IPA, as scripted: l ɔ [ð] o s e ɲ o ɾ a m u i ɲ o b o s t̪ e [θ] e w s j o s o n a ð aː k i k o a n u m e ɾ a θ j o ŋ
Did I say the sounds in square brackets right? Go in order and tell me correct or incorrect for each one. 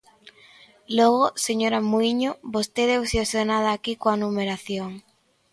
incorrect: ɣ, incorrect: ð

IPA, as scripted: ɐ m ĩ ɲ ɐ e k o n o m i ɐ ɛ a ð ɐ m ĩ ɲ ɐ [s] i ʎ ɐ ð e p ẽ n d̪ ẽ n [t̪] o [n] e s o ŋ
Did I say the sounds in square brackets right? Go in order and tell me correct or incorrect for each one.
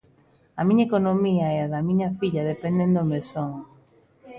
incorrect: f, incorrect: d̪, incorrect: m

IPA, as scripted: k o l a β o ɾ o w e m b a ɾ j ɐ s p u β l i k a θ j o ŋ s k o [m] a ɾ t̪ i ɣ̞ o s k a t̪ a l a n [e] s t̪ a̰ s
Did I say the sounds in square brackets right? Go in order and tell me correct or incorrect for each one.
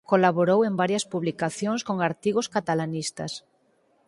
incorrect: ŋ, incorrect: i

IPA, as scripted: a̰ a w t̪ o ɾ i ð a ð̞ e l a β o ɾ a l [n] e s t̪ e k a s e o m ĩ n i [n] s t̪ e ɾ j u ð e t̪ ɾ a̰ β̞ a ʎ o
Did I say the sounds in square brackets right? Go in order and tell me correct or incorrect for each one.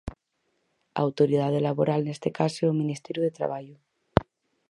correct, incorrect: none

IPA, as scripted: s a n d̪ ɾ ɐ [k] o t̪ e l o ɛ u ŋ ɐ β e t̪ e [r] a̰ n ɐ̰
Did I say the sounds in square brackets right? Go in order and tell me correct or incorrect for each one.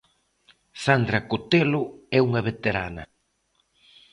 correct, incorrect: ɾ

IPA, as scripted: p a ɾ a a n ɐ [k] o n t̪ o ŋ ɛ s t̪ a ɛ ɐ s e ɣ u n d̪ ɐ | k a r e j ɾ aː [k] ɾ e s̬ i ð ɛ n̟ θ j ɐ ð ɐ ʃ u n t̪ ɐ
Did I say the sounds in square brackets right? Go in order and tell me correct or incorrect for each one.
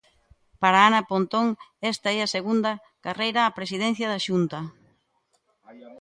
incorrect: p, incorrect: p

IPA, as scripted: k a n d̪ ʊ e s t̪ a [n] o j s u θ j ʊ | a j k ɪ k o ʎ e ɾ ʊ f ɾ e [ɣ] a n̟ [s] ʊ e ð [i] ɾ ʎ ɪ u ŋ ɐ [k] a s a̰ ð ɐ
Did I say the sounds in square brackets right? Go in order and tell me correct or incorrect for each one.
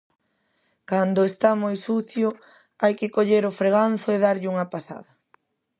incorrect: m, correct, incorrect: θ, incorrect: a, incorrect: p

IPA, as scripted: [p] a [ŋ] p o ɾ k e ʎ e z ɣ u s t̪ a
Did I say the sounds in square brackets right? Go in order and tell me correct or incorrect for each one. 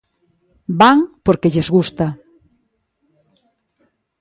incorrect: b, correct

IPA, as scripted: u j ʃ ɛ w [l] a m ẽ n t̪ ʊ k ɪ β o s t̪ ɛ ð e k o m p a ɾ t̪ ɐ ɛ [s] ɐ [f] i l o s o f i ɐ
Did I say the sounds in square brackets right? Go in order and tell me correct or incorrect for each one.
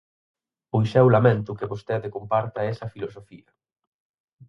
correct, correct, correct

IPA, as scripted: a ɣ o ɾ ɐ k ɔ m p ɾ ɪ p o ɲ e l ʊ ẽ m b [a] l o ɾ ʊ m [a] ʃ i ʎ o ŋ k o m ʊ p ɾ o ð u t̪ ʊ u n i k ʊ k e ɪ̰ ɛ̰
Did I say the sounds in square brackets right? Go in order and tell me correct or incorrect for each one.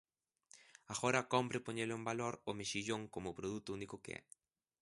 correct, incorrect: e

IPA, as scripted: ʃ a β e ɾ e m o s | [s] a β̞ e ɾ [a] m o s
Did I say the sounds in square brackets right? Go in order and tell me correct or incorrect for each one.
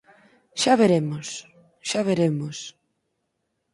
incorrect: ʃ, incorrect: e

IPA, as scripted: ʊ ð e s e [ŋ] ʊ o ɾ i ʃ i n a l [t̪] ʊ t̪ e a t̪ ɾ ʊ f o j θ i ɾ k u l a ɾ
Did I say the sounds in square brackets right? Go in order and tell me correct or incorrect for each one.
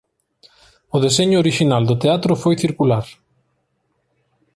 incorrect: ɲ, incorrect: d̪

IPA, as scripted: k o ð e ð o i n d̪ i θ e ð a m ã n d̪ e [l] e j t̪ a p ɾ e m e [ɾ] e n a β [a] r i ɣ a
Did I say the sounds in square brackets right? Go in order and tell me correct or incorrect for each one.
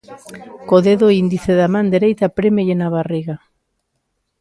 incorrect: ɾ, incorrect: ʎ, correct

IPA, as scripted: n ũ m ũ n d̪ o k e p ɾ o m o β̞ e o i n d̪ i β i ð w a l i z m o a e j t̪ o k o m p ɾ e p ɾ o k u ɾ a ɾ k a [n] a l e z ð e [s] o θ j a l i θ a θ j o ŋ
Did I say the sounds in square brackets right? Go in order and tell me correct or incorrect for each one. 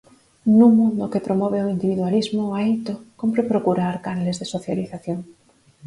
correct, correct

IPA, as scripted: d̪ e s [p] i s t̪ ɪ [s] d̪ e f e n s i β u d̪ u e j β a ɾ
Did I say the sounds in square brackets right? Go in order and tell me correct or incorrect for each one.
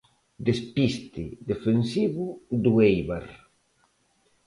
correct, incorrect: none

